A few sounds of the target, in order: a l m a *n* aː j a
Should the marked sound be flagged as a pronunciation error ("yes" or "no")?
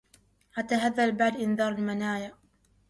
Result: no